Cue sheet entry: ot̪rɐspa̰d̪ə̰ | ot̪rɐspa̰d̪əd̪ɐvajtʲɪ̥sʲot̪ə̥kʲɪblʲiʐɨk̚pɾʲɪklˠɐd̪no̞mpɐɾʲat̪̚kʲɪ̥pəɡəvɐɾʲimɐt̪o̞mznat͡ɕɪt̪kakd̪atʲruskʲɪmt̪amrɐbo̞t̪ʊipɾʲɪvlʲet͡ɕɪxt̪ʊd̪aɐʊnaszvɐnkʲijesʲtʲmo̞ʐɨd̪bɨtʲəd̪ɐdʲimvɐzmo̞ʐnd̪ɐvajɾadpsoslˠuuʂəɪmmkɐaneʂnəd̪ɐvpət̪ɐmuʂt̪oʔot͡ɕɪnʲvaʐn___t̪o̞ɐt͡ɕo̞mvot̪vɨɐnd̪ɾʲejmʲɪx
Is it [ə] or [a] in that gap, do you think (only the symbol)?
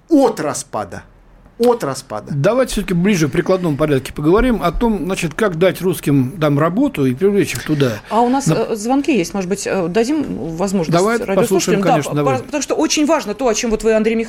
ə